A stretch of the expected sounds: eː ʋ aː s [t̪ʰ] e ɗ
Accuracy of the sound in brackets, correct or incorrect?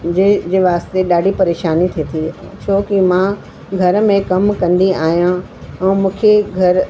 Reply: incorrect: t̪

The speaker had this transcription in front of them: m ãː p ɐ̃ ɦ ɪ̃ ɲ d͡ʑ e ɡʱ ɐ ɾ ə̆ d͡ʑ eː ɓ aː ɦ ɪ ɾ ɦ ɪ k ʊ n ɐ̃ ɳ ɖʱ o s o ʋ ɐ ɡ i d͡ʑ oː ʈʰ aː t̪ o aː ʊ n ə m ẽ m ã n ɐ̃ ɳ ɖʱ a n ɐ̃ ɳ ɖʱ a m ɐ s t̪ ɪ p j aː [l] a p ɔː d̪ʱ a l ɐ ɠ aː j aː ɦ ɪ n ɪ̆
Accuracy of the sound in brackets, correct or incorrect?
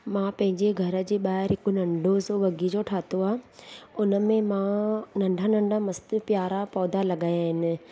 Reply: incorrect: ɾ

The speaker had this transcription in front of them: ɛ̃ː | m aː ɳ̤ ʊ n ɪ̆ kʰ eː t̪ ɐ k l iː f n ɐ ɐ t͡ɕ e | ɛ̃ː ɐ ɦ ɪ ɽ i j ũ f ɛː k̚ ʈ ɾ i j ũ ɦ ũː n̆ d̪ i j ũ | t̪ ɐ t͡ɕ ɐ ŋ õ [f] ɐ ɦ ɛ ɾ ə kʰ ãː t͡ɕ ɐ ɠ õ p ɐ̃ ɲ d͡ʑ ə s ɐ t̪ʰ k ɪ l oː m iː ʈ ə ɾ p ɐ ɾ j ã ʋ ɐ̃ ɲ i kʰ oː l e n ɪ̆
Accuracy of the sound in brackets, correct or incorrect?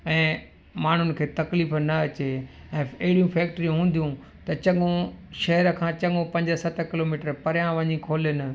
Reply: incorrect: ʃ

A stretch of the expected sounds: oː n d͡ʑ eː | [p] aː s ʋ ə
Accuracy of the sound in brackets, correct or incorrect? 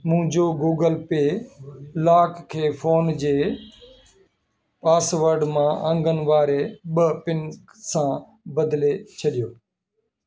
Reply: correct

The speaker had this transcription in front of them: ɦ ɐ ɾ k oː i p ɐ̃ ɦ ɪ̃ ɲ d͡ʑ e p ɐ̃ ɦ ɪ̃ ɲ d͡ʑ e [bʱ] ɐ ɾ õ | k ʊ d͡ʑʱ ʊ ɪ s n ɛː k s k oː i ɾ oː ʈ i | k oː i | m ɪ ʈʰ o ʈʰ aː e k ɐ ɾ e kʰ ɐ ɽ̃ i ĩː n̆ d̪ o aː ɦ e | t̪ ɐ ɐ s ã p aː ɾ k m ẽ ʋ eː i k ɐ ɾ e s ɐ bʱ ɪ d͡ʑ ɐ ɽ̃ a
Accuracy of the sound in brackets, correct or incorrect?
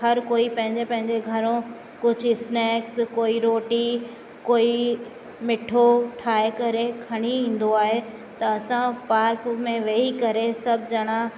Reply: incorrect: ɡʱ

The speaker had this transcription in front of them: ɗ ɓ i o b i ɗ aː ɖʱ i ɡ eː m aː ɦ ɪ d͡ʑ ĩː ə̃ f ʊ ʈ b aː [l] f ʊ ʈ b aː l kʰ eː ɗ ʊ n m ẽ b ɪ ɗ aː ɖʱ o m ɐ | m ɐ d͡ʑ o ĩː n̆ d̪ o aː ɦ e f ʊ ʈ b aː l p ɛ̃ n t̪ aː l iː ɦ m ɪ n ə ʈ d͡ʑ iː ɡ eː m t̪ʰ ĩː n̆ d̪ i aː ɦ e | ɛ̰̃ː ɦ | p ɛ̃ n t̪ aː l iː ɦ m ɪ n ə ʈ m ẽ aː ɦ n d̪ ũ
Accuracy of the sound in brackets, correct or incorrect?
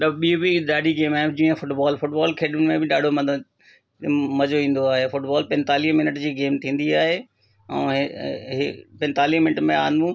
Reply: correct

